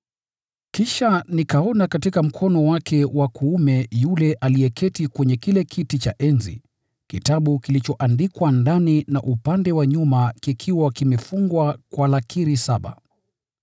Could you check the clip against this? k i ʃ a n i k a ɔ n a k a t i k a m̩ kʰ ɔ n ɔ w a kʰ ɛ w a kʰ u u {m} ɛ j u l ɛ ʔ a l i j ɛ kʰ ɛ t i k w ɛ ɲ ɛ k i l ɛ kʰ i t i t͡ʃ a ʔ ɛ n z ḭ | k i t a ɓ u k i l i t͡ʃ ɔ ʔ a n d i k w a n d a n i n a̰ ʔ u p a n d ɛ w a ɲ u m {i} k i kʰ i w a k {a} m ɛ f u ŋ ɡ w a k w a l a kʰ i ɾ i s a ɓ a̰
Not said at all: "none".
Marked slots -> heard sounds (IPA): m, a, i

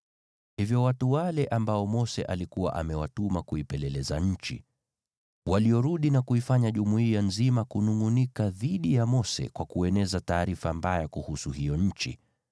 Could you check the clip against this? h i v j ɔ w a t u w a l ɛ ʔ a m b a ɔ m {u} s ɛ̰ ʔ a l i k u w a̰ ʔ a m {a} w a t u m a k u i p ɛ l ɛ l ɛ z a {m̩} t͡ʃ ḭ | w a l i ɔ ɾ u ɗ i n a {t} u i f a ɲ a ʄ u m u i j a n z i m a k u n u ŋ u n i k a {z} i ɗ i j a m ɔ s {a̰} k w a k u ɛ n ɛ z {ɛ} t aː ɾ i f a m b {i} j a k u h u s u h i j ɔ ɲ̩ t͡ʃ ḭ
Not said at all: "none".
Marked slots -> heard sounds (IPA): ɔ, ɛ, ɲ̩, k, ð, ɛ̰, a, a

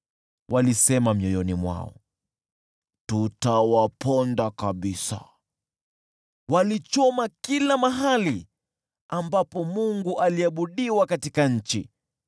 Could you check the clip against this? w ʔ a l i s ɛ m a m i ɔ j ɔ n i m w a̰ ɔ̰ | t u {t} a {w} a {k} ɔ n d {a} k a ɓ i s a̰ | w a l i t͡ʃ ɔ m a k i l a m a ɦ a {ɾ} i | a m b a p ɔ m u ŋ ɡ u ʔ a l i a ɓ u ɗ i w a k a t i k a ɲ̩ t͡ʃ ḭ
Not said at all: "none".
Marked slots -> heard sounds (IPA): t, w, p, a, l

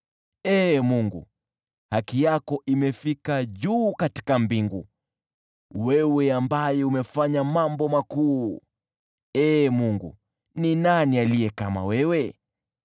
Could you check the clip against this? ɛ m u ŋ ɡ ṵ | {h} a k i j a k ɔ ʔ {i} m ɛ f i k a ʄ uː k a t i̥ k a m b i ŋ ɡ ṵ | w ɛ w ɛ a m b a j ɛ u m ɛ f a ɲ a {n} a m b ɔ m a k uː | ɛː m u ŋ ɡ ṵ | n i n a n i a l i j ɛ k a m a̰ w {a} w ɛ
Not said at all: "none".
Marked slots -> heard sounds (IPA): h, i, m, ɛ

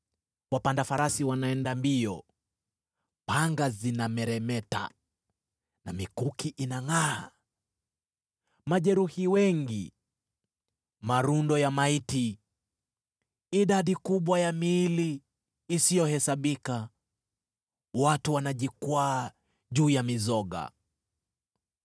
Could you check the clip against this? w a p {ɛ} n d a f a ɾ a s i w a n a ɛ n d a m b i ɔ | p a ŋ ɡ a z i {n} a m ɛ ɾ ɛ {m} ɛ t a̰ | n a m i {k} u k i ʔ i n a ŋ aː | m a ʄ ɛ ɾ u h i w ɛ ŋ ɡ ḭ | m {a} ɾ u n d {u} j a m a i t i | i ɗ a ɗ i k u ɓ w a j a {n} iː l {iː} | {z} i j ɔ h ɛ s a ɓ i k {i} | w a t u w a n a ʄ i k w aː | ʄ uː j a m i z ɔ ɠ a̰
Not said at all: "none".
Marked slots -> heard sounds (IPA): a, n, m, k, a, ɔ, m, iː, s, a

